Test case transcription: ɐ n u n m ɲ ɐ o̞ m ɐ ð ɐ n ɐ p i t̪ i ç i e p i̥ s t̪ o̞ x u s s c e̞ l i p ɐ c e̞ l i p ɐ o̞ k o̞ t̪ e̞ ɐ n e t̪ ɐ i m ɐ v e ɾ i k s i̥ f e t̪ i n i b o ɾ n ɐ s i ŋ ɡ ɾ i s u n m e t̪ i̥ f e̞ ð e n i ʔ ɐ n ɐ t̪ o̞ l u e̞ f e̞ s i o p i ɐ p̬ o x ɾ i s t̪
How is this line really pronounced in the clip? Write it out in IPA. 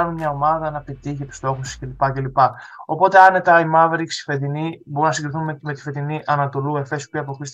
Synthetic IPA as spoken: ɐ n u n m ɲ ɐ o̞ m ɐ ð ɐ n ɐ p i t̪ i ç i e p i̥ s t̪ o̞ x u s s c e̞ l i p ɐ c e̞ l i p ɐ o̞ p o̞ t̪ e̞ ɐ n e t̪ ɐ i m ɐ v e ɾ i k s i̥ f e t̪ i n i b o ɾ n ɐ s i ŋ ɡ ɾ i θ u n m e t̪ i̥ f e̞ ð i n i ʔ ɐ n ɐ t̪ o̞ l u e̞ f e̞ s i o p i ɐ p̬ o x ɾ i s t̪